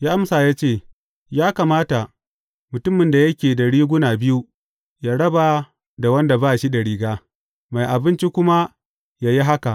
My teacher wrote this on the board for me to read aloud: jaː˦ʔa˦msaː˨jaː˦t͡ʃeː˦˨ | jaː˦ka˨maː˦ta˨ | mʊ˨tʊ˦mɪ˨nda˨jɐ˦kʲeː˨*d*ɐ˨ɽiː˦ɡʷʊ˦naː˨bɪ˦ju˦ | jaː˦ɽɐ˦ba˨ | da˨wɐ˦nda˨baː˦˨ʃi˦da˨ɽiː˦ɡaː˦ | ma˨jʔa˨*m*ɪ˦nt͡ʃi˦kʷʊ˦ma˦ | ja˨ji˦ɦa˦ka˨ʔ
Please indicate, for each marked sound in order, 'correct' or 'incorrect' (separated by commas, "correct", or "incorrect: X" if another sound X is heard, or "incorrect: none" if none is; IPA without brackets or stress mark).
correct, incorrect: b